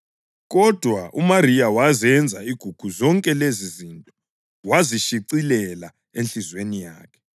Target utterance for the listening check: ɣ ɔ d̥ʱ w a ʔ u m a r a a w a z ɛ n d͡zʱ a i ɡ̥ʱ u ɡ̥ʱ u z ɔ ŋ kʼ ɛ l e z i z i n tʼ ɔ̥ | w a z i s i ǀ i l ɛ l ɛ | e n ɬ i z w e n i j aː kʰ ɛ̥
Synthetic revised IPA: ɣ ɔ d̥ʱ w a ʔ u m a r i a w a z ɛ n d͡zʱ a i ɡ̥ʱ u ɡ̥ʱ u z ɔ ŋ kʼ ɛ l e z i z i n tʼ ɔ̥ | w a z i ʃ i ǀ i l ɛ l a | e n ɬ i z w e n i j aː kʰ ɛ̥